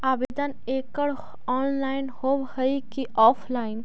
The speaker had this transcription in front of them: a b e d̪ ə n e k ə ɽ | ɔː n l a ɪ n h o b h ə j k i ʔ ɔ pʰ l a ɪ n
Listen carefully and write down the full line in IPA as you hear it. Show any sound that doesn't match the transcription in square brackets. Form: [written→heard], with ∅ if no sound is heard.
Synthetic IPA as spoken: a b e d̪ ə n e k ə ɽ | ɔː n l a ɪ n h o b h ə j k i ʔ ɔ pʰ l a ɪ n

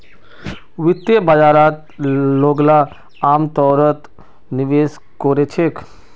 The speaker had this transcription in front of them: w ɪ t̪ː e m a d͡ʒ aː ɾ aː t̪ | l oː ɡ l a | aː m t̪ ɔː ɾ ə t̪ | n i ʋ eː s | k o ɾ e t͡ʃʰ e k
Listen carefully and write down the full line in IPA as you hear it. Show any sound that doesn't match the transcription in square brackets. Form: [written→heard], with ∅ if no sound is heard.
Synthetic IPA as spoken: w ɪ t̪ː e [m→b] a d͡ʒ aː ɾ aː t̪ | l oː ɡ l a | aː m t̪ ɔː ɾ ə t̪ | n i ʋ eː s | k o ɾ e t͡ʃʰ e k

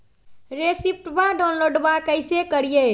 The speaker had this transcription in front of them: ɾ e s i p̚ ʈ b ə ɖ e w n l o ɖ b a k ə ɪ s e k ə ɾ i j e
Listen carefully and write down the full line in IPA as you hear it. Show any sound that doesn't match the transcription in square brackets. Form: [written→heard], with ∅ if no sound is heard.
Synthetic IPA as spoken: ɾ e s i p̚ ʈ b [ə→a] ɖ [e→a] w n l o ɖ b a k ə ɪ s e k ə ɾ i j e

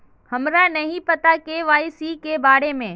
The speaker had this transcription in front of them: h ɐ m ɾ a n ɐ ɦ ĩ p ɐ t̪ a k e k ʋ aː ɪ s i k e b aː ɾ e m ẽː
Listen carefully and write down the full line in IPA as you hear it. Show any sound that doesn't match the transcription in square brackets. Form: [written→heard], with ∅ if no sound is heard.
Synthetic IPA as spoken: h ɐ m ɾ a n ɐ ɦ ĩ p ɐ t̪ a k e [k→∅] ʋ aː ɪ s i k e b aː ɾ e m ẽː

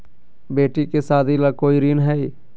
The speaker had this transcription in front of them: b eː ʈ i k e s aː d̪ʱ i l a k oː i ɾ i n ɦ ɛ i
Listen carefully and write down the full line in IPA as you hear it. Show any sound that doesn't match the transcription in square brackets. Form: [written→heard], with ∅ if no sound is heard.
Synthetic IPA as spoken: b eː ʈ i k e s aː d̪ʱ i l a k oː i ɾ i n ɦ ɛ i

